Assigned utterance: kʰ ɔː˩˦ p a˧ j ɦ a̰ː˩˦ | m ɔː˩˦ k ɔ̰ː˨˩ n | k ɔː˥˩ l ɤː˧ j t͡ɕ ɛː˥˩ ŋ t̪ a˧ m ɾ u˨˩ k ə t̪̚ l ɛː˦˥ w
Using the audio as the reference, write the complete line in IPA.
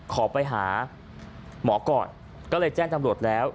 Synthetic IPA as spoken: kʰ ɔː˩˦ p a˧ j ɦ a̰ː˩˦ | m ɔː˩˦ k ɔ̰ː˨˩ n | k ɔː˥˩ l ɤː˧ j t͡ɕ ɛː˥˩ ŋ t̪ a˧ m ɾ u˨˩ ə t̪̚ l ɛː˦˥ w